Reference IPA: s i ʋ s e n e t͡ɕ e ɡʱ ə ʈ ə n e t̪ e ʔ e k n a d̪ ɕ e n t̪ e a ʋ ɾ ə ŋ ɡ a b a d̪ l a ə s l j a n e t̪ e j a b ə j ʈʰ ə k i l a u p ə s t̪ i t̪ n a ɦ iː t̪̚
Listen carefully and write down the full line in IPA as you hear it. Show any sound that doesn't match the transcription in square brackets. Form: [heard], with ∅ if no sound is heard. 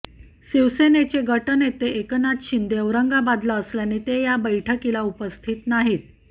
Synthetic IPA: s i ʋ s e n e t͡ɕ e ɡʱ ə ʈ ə n e t̪ e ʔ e k n a [t̪] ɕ [i] n [d̪] e [ə] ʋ ɾ ə ŋ ɡ a b a d̪ l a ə s l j a n e t̪ e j a b ə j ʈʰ ə k i l a u p ə s [t̪ʰ] i t̪ n a ɦ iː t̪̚